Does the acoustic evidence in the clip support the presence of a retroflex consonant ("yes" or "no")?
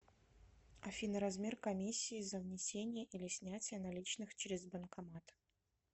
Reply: no